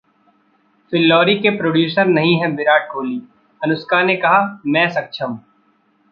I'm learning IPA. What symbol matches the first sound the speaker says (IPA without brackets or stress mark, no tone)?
f